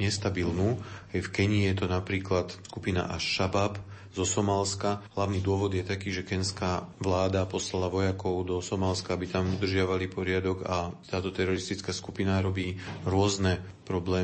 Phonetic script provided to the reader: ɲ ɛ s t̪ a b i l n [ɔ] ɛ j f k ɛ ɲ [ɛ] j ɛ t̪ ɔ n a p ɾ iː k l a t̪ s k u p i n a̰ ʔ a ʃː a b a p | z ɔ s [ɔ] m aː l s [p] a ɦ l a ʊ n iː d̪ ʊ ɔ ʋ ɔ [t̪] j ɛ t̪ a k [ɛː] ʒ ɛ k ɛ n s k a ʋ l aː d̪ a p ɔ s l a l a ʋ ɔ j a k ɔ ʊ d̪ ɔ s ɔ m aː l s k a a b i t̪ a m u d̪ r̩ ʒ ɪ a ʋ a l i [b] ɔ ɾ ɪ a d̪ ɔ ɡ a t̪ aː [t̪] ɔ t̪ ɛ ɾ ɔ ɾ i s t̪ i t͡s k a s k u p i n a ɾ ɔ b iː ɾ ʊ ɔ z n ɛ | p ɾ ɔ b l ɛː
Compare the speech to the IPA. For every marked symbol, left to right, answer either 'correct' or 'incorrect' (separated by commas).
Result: incorrect, incorrect, correct, incorrect, incorrect, incorrect, incorrect, correct